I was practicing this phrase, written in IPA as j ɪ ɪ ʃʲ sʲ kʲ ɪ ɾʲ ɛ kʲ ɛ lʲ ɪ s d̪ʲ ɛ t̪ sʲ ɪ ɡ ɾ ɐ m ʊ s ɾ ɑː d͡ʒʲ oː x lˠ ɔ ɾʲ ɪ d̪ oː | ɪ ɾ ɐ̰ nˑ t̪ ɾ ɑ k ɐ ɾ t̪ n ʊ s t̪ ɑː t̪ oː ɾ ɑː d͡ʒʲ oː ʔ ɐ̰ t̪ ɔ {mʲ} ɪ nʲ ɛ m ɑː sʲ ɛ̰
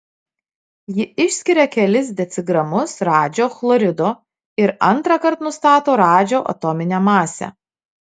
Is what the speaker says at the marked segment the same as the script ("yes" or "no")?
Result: yes